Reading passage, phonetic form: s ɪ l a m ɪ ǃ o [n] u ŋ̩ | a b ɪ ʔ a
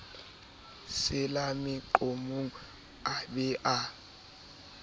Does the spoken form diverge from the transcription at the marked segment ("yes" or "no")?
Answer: yes